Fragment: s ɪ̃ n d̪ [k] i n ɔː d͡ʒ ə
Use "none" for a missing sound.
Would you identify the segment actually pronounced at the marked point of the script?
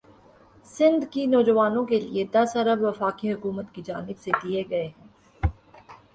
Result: k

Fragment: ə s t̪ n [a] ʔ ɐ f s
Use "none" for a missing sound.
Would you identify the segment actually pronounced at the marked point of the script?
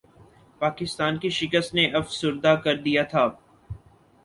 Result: e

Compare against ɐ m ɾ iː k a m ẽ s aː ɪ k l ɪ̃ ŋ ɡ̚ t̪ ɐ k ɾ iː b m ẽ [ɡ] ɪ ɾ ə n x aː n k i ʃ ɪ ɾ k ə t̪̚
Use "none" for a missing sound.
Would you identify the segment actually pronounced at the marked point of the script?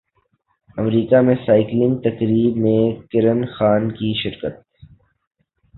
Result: k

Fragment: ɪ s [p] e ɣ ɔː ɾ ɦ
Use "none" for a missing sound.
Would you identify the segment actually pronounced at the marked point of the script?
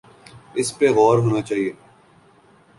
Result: p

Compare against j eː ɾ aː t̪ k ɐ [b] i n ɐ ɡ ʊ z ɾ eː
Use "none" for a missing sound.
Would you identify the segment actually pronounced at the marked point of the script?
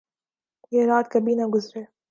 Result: b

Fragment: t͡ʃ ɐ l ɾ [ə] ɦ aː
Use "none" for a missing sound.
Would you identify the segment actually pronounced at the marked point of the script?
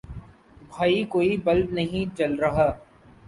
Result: ɐ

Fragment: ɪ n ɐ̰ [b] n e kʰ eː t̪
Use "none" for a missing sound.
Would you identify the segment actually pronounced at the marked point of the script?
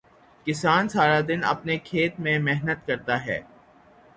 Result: p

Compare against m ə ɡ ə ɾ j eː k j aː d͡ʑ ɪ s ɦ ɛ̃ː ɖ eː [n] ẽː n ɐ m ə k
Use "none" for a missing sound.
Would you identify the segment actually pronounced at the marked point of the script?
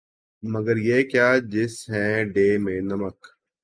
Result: m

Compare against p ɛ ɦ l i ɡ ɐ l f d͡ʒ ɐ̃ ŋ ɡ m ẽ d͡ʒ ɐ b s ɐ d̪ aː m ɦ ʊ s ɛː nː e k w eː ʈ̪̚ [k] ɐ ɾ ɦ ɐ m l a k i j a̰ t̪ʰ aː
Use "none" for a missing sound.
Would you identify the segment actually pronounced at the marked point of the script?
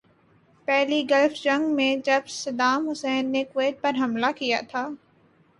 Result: p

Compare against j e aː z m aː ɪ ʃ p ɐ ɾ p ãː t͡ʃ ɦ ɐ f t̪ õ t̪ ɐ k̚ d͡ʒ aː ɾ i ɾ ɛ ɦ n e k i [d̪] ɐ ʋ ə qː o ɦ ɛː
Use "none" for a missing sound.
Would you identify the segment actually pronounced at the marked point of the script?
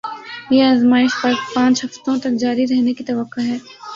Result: t̪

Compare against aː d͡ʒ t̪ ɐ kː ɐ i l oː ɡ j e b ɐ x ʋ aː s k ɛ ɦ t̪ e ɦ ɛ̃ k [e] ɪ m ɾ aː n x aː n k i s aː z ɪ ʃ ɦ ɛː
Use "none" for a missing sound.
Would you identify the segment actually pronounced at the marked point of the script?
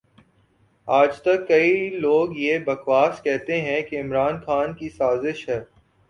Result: e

